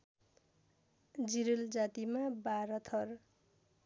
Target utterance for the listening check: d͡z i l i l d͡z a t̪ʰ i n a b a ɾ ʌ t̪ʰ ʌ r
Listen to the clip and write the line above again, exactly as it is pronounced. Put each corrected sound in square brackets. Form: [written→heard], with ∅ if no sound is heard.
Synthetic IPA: d͡z i [l→ɾ] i l d͡z a [t̪ʰ→t̪] i [n→m] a b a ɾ ʌ t̪ʰ ʌ r